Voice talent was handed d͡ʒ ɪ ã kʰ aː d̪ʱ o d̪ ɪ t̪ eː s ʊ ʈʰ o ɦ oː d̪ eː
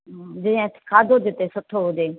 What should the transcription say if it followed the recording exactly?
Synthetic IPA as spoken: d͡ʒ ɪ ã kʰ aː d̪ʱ o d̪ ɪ t̪ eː s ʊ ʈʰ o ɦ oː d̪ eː